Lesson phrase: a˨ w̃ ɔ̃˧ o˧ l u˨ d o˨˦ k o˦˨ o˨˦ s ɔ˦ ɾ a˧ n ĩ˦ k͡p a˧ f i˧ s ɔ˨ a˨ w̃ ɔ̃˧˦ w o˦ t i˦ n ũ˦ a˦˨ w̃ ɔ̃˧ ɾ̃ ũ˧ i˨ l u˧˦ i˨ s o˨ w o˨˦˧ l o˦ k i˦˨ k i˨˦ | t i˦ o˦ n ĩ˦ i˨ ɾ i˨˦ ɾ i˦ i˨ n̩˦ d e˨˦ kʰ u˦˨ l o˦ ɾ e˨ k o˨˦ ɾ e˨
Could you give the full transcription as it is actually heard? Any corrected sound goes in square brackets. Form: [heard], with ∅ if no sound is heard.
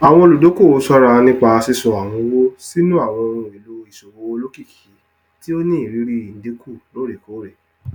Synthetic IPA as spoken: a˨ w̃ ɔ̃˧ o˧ l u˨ d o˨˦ k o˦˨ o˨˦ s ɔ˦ ɾ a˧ n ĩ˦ k͡p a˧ [s] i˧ s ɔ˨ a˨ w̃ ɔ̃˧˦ w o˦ [s] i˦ n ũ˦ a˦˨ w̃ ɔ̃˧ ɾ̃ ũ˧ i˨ l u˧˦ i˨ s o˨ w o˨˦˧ l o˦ k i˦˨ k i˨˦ | t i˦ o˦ n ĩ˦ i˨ ɾ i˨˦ ɾ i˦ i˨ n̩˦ d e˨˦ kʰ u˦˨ l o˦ ɾ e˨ k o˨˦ ɾ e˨